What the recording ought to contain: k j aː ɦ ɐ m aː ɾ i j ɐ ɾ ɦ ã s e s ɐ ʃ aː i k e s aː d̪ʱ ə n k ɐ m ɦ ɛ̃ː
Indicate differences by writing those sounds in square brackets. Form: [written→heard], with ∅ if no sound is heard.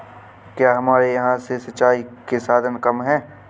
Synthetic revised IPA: k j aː ɦ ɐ m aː ɾ [i→e] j ɐ [ɾ→∅] ɦ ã s e s ɐ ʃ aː i k e s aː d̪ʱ ə n k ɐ m ɦ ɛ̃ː